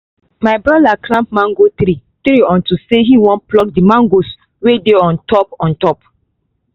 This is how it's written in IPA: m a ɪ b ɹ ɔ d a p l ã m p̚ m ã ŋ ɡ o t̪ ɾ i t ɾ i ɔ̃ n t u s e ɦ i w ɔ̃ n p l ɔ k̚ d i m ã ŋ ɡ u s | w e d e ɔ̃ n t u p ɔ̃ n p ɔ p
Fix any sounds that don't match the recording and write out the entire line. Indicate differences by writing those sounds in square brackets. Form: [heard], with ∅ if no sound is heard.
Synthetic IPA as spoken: m a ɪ b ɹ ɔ d a [k] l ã m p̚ m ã ŋ ɡ o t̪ ɾ i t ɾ i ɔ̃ n t u s e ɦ i w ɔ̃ n p l ɔ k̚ d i m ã ŋ ɡ [o] s | w e d e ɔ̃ n t [ɔ] p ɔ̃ n [t] ɔ p